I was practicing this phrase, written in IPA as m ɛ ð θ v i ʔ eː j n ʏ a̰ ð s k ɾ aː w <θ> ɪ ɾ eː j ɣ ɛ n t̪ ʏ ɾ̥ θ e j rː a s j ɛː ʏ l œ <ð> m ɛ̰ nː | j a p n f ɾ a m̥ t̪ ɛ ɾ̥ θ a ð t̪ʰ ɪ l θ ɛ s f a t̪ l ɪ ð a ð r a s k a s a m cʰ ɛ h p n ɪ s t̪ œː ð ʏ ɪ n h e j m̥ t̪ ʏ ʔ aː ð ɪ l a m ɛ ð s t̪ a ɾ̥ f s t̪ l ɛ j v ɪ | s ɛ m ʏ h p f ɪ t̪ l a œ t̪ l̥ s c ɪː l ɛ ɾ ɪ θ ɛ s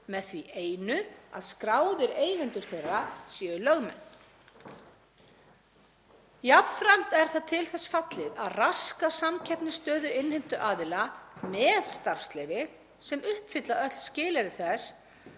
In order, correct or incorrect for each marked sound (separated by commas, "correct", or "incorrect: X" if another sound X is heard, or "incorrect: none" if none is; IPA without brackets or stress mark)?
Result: incorrect: ð, incorrect: ɣ